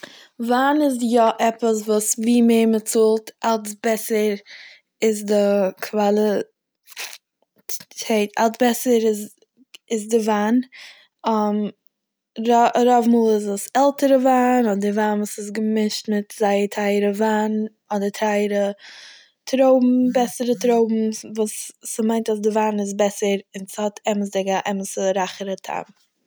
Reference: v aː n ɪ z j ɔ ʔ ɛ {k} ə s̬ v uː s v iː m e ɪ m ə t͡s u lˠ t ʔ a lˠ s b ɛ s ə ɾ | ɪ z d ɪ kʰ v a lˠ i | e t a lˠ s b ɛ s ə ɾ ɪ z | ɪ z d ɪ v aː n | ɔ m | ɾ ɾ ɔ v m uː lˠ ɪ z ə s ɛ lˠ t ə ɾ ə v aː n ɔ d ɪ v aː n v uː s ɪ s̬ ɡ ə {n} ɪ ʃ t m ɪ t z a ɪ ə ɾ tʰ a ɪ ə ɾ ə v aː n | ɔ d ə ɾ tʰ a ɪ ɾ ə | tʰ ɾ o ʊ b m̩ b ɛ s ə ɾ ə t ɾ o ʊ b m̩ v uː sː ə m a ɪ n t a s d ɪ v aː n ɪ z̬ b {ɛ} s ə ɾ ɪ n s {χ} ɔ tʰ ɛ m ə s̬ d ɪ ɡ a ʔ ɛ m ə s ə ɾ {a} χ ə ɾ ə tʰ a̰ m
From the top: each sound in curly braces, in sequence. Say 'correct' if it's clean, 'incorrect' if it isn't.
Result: incorrect: p, incorrect: m, correct, incorrect: h, correct

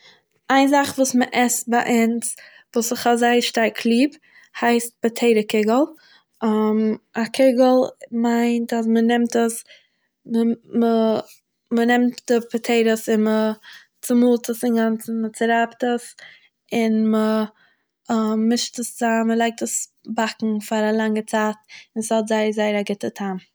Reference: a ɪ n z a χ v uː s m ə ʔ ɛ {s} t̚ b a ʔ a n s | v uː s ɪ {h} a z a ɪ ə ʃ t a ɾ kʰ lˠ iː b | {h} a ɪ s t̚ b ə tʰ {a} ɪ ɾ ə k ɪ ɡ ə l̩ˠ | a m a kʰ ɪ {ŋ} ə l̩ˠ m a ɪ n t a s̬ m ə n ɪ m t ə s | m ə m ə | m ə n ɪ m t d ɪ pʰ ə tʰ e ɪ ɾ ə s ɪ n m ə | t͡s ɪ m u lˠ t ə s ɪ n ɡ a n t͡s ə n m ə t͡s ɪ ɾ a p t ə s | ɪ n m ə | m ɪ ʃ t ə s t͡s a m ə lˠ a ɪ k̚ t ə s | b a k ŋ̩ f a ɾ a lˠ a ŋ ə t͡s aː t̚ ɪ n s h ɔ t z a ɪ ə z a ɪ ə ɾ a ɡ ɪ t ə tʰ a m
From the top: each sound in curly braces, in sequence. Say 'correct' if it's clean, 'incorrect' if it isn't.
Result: correct, incorrect: χ, correct, incorrect: e, incorrect: ɡ

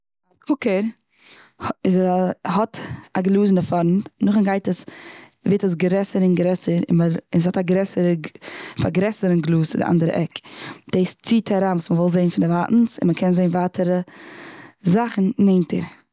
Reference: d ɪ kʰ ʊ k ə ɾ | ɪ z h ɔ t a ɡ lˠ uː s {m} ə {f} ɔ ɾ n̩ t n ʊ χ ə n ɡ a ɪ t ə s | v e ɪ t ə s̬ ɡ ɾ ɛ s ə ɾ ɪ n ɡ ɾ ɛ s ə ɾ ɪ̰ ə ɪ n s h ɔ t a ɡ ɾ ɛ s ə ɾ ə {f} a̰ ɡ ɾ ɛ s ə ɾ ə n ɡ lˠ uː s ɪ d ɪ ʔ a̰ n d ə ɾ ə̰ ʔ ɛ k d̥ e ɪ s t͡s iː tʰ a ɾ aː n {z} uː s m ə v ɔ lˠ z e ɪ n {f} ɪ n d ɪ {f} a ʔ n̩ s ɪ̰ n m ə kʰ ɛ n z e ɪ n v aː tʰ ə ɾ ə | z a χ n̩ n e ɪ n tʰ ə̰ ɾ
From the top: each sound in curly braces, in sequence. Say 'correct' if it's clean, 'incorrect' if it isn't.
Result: incorrect: n, correct, correct, incorrect: v, correct, incorrect: v

